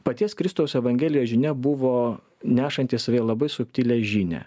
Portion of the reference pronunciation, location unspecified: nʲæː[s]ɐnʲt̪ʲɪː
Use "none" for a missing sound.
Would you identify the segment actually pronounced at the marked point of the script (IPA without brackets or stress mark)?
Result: ʃ